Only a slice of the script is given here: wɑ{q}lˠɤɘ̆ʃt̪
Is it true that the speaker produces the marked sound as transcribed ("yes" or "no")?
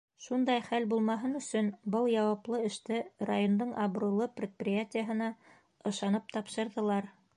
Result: no